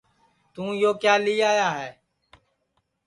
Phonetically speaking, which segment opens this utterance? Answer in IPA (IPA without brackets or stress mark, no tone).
t̪